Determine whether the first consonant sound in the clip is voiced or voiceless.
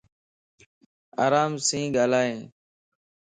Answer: voiced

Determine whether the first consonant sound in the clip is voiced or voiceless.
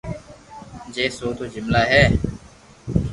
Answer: voiced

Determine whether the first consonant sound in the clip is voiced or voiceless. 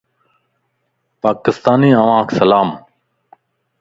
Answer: voiceless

